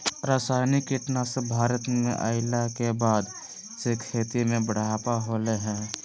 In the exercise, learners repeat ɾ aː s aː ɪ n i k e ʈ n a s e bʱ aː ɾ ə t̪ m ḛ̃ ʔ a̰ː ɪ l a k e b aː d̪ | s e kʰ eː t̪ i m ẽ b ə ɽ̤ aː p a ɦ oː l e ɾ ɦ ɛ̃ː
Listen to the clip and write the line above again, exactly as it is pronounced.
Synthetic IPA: ɾ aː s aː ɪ n i k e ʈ n a s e bʱ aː ɾ ə t̪ m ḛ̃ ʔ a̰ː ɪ l a k e b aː d̪ | s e kʰ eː t̪ i m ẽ b ə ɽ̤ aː p a ɦ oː l e ɦ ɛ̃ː